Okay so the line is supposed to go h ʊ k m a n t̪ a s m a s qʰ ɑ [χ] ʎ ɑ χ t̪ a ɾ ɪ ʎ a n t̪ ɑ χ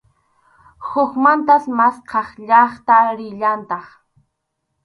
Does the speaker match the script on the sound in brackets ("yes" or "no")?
yes